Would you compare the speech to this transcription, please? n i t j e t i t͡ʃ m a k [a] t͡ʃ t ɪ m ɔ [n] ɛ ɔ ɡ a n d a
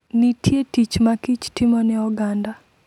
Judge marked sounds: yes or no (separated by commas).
no, yes